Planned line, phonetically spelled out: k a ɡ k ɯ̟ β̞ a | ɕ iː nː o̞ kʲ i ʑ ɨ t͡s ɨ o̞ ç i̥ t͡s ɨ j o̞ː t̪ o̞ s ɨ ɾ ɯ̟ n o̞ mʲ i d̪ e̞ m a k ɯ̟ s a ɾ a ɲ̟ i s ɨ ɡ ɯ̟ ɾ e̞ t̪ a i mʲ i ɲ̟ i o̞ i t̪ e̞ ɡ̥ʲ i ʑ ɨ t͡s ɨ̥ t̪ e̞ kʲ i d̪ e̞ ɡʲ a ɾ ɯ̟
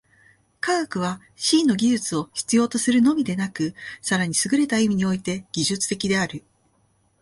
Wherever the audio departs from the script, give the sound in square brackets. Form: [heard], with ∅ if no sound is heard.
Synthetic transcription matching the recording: k a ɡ k ɯ̟ β̞ a | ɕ iː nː o̞ [ɡʲ] i ʑ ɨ t͡s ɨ o̞ ç i̥ t͡s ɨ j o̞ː t̪ o̞ s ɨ ɾ ɯ̟ n o̞ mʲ i d̪ e̞ [n] a k ɯ̟ s a ɾ a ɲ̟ i s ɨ ɡ ɯ̟ ɾ e̞ t̪ a i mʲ i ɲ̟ i o̞ i t̪ e̞ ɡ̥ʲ i ʑ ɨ t͡s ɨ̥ t̪ e̞ kʲ i d̪ e̞ [∅] a ɾ ɯ̟